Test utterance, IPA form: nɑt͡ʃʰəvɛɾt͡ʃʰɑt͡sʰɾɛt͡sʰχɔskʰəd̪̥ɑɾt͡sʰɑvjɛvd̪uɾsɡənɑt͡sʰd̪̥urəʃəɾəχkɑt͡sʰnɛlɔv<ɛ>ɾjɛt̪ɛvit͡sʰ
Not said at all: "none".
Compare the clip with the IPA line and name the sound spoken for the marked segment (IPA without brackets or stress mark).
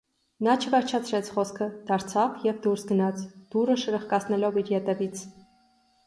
i